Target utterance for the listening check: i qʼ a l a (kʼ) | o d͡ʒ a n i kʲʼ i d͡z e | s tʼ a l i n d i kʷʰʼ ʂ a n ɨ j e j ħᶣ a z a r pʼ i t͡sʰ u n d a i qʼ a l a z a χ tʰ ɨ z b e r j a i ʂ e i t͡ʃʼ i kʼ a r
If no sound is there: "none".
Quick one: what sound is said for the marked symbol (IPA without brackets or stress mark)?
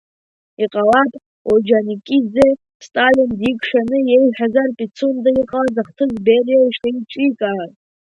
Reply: tʼ